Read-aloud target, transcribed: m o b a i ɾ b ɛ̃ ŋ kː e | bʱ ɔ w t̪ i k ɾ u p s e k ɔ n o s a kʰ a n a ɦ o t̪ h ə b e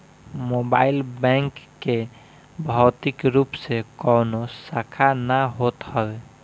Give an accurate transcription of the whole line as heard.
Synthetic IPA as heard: m o b a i l b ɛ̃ ŋ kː e | bʱ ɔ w t̪ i k ɾ u p s e k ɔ n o s a kʰ a n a ɦ o t̪ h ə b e

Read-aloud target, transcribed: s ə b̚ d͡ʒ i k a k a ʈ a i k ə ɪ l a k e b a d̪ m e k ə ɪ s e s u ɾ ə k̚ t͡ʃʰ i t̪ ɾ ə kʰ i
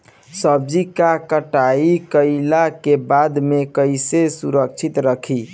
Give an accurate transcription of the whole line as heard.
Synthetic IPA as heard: s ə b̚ d͡ʒ i k a k ə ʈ a i k ə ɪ l a k e b a d̪ m e k ə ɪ s e s u ɾ ə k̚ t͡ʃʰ i t̪ ɾ ə kʰ i

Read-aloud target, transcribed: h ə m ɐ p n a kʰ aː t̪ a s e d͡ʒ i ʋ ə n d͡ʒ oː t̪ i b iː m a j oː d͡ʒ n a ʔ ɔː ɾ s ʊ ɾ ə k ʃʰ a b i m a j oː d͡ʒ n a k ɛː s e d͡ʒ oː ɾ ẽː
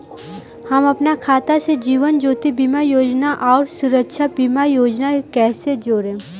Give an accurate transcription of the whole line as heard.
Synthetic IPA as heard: h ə m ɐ p n a kʰ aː t̪ a s e d͡ʒ iː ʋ ə n d͡ʒ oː t̪ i b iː m a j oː d͡ʒ n a ʔ ɔː ɾ s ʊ ɾ ə k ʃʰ a b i m a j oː d͡ʒ n a k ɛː s e d͡ʒ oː ɾ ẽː

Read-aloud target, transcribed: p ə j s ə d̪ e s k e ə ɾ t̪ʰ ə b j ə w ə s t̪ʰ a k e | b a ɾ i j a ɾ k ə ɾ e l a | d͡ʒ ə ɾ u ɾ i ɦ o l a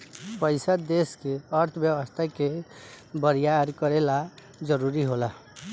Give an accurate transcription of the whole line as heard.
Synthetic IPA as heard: p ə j s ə d̪ e s k e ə ɾ t̪ʰ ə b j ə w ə s t̪ʰ a k e | b ə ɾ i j a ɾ k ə ɾ e l a | d͡ʒ ə ɾ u ɾ i ɦ o l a

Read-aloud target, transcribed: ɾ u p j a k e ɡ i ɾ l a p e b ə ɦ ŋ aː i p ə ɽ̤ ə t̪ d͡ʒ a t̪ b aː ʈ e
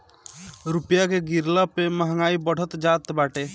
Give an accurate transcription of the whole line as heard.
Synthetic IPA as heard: ɾ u p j a k e ɡ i ɾ l a p e m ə ɦ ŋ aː i b ə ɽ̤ ə t̪ d͡ʒ a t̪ b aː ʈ e

